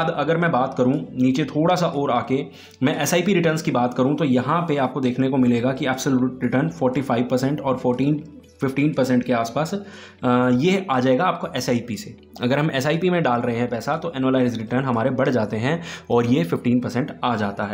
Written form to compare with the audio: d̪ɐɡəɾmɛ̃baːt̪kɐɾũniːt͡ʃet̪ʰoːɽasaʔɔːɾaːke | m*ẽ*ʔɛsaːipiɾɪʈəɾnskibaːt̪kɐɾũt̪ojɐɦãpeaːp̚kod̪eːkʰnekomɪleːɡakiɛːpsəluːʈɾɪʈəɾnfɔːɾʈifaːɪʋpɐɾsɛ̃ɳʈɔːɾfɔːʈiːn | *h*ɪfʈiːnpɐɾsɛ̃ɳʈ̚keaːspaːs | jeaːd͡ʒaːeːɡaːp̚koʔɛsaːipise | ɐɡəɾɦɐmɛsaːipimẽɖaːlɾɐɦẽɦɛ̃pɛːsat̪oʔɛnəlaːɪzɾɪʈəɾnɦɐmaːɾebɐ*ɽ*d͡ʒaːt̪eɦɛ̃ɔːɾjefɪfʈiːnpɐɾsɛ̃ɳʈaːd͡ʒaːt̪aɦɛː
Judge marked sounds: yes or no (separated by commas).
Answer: no, no, yes